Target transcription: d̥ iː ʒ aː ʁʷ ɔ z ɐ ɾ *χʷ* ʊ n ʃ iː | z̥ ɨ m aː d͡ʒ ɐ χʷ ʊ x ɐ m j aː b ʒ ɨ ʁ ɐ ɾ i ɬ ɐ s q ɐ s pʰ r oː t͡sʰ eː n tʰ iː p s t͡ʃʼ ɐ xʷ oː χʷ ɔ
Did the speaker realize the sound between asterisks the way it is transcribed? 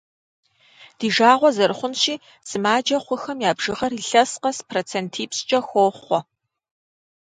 yes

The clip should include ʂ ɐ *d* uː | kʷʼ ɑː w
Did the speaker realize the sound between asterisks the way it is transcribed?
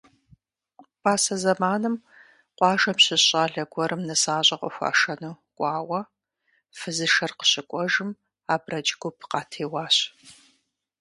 no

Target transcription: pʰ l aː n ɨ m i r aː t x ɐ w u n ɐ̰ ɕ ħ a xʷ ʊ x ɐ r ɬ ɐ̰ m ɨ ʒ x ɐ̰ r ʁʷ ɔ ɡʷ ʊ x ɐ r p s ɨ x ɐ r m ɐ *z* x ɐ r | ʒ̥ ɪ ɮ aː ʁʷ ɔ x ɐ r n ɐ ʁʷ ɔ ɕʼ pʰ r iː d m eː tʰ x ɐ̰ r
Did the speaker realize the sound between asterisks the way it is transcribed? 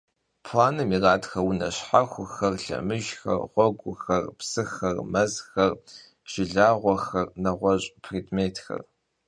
yes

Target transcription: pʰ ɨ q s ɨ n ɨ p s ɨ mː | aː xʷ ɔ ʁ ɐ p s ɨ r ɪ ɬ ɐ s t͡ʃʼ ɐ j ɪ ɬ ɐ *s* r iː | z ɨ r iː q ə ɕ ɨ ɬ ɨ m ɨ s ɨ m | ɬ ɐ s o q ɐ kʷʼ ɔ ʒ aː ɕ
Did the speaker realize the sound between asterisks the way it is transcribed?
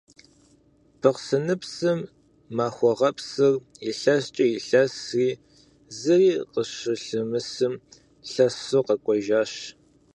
yes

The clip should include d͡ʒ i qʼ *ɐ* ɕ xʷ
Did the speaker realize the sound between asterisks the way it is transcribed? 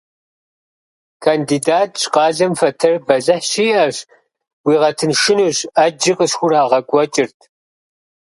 no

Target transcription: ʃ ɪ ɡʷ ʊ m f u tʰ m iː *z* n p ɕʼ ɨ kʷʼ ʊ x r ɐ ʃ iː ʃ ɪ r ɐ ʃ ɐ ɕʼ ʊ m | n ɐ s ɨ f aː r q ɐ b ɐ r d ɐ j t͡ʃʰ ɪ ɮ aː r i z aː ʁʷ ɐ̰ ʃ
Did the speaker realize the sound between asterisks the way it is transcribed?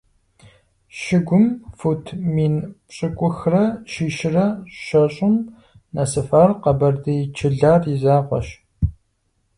no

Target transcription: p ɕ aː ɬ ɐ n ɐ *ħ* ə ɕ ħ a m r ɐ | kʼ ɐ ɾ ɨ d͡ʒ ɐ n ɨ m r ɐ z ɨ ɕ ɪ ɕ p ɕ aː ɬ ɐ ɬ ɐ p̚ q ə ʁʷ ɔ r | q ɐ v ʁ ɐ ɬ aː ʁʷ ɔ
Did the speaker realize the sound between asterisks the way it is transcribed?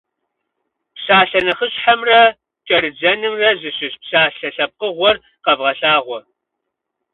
no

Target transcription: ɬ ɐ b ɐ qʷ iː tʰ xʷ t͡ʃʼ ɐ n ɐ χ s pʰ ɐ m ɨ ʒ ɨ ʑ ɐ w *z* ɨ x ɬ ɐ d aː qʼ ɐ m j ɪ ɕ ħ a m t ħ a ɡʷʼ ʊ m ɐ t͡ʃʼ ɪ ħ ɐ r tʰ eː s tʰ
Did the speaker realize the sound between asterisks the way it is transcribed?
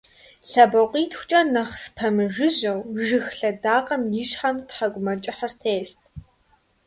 no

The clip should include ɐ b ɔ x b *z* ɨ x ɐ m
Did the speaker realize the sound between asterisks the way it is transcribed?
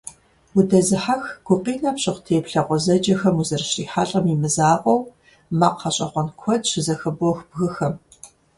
no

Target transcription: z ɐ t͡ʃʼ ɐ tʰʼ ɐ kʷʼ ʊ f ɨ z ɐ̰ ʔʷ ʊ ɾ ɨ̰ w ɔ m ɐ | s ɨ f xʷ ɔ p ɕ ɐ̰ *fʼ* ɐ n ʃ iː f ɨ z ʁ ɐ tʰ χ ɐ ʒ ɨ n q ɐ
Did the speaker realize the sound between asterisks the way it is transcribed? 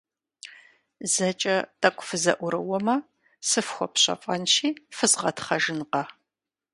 yes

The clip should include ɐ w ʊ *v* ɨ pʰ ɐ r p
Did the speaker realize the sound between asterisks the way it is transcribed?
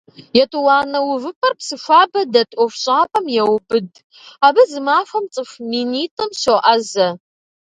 yes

